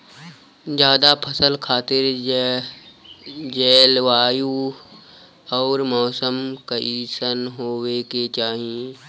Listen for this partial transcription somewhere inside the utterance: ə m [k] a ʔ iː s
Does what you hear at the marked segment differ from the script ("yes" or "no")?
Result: no